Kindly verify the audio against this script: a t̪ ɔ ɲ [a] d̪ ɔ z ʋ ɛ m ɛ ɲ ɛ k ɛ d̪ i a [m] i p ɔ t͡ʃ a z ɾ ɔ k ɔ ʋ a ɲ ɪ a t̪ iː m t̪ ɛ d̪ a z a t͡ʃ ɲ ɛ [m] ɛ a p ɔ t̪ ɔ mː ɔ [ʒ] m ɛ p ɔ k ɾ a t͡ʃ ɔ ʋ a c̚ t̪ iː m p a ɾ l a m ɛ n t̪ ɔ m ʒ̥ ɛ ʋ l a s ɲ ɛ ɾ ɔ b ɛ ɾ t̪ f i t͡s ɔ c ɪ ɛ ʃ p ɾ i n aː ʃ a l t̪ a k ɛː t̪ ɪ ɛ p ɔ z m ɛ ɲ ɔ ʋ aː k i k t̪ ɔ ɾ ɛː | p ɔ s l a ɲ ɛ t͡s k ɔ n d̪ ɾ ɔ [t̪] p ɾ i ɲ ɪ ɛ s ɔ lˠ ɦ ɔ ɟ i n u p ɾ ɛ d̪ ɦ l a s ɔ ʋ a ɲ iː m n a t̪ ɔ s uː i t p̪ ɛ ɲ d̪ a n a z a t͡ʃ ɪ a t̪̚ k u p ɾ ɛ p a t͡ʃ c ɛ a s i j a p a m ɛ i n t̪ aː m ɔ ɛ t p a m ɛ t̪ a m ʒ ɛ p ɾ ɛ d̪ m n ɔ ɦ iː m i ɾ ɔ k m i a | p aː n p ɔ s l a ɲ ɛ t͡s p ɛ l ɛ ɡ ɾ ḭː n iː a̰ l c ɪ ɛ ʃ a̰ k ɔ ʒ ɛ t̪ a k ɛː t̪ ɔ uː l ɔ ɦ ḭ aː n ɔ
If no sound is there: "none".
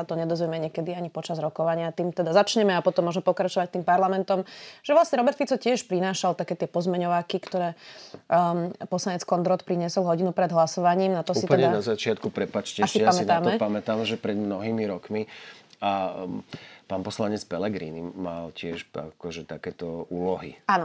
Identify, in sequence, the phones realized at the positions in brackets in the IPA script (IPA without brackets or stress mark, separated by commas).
ɛ, ɲ, m, ʒ, t̪